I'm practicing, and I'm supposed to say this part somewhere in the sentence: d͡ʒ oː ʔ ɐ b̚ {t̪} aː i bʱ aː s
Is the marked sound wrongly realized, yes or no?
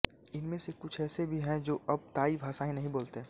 no